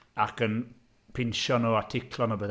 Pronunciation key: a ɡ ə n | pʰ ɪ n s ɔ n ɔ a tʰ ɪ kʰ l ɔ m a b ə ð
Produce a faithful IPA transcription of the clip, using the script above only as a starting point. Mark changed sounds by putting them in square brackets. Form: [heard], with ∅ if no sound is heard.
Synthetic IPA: a [k] ə n | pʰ ɪ n [ʃ] ɔ n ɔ a tʰ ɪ kʰ l ɔ [n] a b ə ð